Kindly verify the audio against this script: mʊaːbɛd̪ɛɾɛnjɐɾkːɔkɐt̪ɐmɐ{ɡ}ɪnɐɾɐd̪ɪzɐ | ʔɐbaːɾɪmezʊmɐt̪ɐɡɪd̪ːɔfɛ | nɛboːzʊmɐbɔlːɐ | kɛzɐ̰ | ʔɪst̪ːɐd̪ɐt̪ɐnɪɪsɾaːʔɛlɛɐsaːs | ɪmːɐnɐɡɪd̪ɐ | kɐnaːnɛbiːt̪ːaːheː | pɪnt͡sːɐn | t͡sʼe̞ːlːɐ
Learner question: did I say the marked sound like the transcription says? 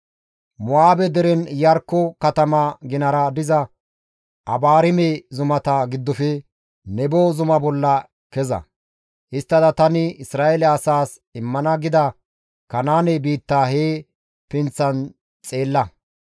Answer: yes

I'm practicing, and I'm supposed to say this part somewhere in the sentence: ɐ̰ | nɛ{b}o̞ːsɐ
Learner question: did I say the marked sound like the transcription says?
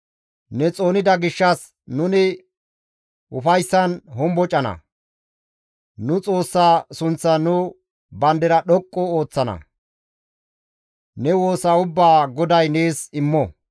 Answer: no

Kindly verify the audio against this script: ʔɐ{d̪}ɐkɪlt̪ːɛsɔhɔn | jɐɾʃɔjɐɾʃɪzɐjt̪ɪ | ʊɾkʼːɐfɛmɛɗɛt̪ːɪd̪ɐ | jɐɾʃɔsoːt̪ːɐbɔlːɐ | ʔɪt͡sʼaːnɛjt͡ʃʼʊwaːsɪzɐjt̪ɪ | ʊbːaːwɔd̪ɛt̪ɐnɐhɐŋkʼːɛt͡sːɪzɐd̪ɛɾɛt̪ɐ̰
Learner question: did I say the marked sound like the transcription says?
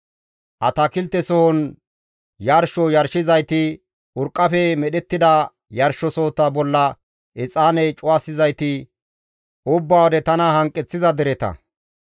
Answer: no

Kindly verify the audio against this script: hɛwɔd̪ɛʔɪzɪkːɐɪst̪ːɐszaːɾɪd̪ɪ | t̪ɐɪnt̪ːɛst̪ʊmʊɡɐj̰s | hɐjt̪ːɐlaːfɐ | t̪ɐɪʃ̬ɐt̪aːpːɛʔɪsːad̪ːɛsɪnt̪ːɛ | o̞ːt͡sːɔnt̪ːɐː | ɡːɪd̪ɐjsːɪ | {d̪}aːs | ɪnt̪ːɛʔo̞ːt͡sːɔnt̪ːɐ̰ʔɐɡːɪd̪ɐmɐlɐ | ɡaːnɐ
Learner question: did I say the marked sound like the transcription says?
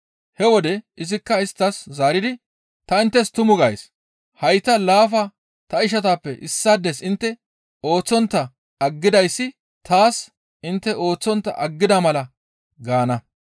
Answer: no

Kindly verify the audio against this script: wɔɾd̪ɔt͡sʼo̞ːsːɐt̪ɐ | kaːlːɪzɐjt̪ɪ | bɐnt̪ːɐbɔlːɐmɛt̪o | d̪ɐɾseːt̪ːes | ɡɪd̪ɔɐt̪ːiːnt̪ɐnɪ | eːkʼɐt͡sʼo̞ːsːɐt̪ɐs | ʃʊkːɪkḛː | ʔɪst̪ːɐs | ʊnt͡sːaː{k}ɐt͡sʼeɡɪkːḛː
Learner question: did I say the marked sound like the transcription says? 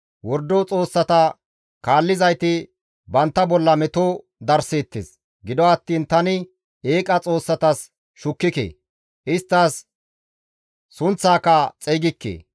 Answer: yes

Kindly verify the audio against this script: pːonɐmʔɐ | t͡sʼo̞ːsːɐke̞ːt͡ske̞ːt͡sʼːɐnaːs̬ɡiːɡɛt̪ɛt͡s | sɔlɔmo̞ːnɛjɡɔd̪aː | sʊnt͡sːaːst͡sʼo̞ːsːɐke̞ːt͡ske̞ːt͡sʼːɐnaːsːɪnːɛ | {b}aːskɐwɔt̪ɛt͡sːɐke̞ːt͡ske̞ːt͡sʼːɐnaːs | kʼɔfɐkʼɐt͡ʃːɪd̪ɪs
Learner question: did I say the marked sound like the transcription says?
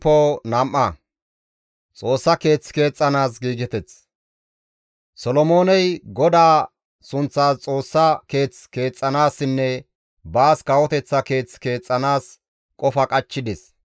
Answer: yes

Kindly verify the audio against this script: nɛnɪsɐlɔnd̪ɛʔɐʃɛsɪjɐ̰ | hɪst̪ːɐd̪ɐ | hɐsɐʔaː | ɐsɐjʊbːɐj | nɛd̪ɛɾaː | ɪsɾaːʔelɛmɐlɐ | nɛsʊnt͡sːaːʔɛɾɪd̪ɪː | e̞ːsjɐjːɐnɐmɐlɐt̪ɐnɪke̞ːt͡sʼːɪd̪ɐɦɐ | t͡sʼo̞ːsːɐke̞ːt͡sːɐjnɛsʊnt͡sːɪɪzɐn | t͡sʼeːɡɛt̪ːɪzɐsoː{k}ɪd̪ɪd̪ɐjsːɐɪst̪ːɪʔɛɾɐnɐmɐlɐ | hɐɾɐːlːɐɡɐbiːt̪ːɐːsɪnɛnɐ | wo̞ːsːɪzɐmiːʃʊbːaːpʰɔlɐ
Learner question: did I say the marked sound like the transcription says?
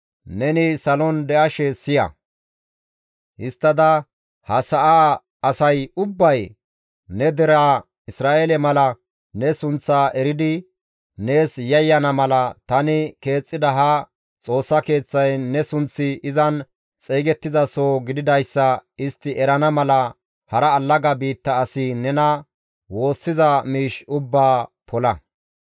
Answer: no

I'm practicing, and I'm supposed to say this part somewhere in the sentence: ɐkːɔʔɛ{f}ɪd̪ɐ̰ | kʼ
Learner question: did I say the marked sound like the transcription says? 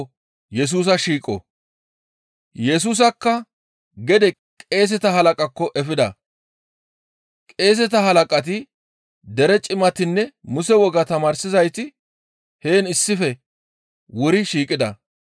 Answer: yes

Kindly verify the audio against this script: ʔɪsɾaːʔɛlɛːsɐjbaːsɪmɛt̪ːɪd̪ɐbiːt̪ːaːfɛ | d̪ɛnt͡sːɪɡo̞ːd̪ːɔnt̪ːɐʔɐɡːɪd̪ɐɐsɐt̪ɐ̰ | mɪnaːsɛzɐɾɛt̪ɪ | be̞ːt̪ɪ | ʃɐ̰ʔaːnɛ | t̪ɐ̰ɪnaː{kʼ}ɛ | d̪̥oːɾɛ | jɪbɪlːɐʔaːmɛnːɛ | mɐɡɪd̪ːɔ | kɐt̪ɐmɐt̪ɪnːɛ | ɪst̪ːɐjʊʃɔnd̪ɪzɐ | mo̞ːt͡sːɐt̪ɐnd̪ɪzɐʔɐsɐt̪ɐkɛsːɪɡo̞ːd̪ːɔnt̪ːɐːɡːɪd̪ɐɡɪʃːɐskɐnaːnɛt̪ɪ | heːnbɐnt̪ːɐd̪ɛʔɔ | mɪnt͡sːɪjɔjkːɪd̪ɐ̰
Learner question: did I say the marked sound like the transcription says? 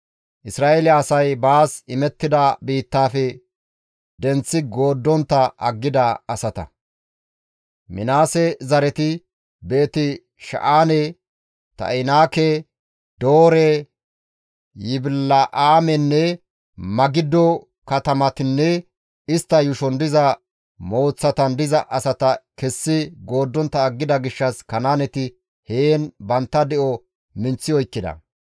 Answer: no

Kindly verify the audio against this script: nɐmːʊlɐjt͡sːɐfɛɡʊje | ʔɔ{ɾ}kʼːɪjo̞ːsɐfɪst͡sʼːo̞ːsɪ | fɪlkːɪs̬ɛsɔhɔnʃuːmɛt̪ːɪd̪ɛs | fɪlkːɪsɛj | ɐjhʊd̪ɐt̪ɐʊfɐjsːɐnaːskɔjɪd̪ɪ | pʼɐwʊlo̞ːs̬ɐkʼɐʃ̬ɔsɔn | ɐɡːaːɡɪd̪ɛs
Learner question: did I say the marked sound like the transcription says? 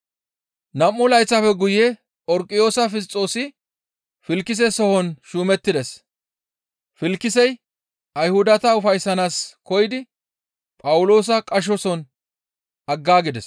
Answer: yes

